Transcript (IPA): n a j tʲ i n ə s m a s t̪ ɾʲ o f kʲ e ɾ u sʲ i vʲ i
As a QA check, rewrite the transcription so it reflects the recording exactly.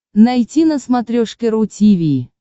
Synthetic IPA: n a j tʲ i n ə s m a t̪ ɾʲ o ʂ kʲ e ɾ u tʲ i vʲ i

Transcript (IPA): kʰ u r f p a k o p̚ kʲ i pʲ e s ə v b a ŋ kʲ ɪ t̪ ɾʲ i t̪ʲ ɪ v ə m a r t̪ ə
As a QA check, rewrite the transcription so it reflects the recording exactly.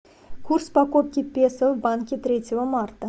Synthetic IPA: kʰ u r s p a k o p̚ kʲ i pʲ e s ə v b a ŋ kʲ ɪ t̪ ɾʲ e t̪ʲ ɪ v ə m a r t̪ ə

